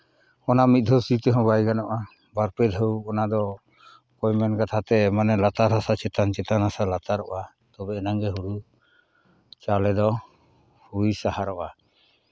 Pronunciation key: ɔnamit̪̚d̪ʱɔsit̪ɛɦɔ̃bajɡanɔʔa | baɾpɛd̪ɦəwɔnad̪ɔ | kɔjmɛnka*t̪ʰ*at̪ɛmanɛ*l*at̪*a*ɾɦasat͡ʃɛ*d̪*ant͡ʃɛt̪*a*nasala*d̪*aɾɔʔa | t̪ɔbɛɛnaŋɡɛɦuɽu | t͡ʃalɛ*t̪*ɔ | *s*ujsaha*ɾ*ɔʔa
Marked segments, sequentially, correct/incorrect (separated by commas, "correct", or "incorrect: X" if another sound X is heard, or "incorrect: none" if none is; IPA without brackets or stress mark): correct, correct, correct, incorrect: t̪, correct, incorrect: t̪, incorrect: d̪, incorrect: h, correct